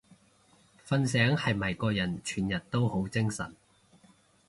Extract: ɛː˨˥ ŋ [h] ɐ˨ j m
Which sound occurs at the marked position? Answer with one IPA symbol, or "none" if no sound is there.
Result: h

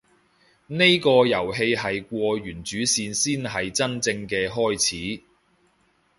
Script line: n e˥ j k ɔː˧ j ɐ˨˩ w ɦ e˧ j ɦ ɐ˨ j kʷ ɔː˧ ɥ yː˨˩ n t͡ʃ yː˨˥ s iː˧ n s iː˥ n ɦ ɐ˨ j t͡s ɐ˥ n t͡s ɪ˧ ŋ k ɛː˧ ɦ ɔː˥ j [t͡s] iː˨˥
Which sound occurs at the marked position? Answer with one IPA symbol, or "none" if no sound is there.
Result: t͡sʰ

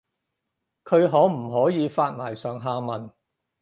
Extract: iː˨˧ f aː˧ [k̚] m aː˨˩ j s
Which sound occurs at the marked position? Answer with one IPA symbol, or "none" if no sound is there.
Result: t̚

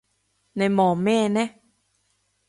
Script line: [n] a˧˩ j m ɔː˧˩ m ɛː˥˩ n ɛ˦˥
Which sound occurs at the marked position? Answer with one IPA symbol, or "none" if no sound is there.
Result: n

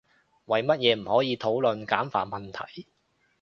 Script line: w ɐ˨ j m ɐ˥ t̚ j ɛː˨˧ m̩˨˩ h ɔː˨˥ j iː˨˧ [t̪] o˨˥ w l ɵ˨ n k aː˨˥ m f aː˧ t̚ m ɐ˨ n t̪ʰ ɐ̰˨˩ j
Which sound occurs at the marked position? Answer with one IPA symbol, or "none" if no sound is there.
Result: t̪ʰ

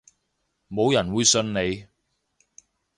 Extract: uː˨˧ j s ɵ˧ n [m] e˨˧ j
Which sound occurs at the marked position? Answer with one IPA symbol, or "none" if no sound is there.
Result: n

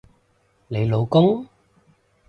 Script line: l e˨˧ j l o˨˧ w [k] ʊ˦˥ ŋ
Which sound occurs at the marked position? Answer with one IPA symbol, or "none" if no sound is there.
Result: k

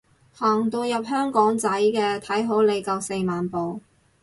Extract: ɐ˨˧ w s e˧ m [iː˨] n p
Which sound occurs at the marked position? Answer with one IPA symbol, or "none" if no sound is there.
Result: aː˨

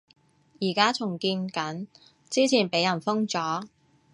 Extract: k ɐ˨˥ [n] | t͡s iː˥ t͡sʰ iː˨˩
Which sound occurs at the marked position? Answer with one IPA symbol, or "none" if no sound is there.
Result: n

